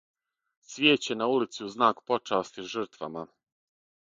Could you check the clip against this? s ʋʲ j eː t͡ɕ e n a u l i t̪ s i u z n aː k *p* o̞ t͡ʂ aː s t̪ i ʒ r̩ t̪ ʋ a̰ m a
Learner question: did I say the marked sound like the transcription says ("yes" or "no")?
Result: yes